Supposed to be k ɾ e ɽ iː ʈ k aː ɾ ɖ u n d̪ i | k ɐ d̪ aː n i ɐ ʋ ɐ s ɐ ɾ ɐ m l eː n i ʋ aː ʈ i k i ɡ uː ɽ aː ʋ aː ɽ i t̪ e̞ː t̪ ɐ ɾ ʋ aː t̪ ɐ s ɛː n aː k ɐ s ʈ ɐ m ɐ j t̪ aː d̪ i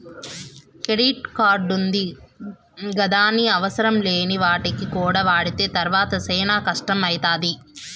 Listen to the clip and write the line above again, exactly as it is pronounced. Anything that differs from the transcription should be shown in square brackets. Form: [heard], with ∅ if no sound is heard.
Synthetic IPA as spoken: k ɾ e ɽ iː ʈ k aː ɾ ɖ u n d̪ i | [ɡ] ɐ d̪ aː n i ɐ ʋ ɐ s ɐ ɾ ɐ m l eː n i ʋ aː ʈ i k i [k] uː ɽ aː ʋ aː ɽ i t̪ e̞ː t̪ ɐ ɾ ʋ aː t̪ ɐ s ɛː n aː k ɐ [ʂ] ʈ ɐ m ɐ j t̪ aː d̪ i